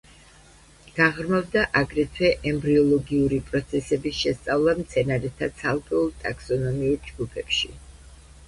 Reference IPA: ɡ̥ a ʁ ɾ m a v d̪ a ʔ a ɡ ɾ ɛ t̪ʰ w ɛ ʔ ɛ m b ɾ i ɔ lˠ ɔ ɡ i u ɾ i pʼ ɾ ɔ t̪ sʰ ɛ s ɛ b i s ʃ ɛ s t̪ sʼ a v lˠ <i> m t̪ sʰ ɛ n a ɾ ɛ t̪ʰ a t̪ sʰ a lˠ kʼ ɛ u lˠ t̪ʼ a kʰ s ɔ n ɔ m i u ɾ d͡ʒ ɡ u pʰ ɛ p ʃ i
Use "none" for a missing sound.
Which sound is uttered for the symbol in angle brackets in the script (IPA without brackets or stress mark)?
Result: a